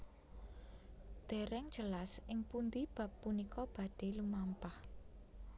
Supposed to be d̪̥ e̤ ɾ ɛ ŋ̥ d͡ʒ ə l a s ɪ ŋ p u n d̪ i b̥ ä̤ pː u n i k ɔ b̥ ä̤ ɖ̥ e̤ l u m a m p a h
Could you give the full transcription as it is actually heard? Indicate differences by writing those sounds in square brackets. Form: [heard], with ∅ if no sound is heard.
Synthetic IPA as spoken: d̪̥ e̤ ɾ ɛ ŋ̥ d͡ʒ ə l a s ɪ ŋ p u n d̪ i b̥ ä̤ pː u n i k ɔ b̥ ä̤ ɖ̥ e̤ l u m a m p a h